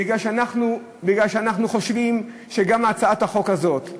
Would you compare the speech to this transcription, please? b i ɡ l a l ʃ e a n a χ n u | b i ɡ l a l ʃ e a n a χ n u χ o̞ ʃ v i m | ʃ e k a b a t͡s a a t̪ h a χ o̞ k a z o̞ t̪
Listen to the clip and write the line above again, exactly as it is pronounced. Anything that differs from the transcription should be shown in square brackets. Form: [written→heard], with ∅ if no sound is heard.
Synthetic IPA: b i ɡ l a l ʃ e a n a χ n u | b i ɡ l a l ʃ e a n a χ n u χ o̞ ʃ v i m | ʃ e [k→ɡ] a [b→m] a t͡s a a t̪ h a χ o̞ k a z o̞ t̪